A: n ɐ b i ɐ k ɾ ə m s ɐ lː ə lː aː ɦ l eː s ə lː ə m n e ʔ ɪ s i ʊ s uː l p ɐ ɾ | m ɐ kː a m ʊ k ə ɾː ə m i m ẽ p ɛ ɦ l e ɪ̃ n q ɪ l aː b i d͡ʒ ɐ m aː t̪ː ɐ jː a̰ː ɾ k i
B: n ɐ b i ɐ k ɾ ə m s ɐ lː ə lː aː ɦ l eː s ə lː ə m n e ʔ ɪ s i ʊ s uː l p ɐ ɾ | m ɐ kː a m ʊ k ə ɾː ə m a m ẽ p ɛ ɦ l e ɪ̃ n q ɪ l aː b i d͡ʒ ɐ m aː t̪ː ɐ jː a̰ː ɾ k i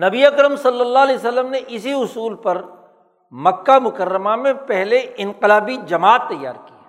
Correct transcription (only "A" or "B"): B